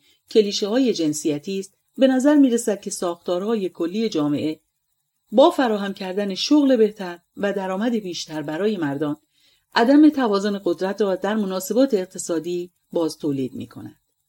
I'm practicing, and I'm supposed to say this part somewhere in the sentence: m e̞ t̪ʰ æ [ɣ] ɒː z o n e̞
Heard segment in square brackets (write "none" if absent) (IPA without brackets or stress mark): v